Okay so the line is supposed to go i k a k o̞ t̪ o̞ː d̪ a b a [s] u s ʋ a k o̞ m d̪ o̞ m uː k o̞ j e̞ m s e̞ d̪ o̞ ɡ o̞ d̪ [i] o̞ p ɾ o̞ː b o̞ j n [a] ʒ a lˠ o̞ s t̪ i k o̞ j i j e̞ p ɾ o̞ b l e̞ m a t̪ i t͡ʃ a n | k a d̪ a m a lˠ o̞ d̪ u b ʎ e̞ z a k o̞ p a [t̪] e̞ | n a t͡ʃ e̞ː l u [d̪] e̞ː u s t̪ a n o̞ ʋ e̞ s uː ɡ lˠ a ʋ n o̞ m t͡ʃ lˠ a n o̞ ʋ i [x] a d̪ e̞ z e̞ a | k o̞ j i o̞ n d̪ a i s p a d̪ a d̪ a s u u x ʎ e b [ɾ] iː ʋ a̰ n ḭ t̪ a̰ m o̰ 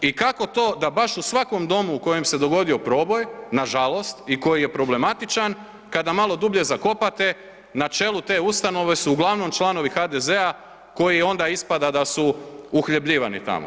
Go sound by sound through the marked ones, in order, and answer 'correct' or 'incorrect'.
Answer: incorrect: ʃ, correct, correct, correct, incorrect: t̪, correct, incorrect: ʎ

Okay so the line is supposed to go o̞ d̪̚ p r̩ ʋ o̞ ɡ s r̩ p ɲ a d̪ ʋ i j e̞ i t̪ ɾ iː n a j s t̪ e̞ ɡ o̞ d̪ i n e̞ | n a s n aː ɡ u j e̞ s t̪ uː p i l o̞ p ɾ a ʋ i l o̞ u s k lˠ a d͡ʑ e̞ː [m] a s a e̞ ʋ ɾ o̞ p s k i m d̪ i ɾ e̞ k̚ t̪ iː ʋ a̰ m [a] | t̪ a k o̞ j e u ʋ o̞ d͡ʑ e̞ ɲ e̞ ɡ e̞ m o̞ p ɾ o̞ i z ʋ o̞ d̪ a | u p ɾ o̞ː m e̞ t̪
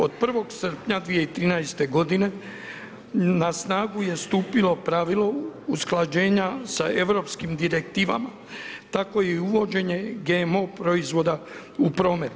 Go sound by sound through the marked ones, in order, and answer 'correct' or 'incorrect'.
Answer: incorrect: ɲ, correct

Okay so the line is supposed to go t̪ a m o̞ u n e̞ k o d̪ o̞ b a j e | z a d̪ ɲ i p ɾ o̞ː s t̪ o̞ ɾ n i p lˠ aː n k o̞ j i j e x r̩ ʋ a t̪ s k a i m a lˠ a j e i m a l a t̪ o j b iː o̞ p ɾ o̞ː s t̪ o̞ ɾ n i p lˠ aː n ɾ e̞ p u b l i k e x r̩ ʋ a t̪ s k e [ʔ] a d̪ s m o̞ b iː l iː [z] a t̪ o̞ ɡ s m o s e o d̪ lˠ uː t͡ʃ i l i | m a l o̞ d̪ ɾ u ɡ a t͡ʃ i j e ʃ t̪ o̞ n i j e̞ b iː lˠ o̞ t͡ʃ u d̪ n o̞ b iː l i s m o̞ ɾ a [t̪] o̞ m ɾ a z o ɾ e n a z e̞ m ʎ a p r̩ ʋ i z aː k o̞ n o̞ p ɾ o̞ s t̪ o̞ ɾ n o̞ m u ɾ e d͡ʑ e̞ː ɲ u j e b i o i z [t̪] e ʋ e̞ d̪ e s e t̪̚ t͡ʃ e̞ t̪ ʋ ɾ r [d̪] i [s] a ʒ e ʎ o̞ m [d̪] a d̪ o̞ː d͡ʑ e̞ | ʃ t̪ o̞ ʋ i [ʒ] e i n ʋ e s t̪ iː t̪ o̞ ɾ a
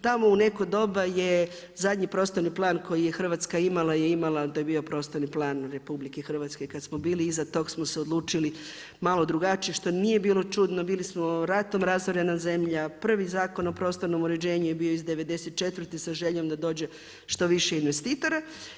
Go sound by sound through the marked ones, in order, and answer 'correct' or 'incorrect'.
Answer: incorrect: k, correct, correct, incorrect: d̪, incorrect: t̪, correct, correct, incorrect: ʃ

